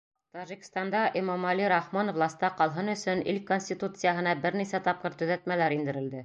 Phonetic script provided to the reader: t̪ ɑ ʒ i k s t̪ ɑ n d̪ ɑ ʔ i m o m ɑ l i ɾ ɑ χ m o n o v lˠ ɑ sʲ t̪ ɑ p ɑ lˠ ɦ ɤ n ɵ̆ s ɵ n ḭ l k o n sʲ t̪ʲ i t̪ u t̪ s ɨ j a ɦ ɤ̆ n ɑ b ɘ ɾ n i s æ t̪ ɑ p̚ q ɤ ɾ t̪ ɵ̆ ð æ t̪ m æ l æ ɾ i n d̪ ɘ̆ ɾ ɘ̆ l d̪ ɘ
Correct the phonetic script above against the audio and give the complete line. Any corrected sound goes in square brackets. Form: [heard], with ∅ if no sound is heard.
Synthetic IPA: t̪ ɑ ʒ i k s t̪ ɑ n d̪ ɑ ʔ i m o m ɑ l i ɾ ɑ χ m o n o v lˠ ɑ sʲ t̪ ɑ [q] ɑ lˠ ɦ ɤ n ɵ̆ s ɵ n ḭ l k o n sʲ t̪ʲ i t̪ u t̪ s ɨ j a ɦ ɤ̆ n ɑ b ɘ ɾ n i s æ t̪ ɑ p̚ q ɤ ɾ t̪ ɵ̆ ð æ t̪ m æ l æ ɾ i n d̪ ɘ̆ ɾ ɘ̆ l d̪ ɘ